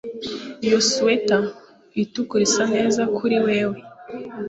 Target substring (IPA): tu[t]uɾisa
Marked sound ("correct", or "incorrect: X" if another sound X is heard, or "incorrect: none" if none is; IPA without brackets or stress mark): incorrect: k